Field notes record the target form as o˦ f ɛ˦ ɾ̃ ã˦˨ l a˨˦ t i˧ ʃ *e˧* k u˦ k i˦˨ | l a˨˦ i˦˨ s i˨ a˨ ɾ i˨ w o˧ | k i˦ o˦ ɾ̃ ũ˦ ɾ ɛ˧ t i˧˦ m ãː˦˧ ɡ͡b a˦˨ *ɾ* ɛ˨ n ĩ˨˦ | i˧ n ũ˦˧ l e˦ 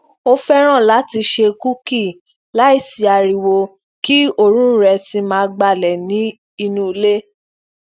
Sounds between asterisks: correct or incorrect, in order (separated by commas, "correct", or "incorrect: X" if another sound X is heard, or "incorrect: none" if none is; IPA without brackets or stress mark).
correct, incorrect: l